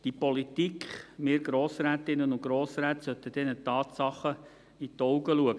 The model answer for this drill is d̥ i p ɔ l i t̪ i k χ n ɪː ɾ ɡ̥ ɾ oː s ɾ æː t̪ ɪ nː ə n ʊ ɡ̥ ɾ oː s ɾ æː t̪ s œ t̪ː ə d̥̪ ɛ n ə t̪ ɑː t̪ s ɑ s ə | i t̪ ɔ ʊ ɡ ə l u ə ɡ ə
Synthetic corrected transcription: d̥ i p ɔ l i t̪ i k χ m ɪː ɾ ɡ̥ ɾ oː s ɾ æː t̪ ɪ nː ə n ʊ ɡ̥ ɾ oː s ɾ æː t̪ s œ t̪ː ə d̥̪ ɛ n ə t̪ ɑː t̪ s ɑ χ ə | i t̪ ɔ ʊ ɡ ə l u ə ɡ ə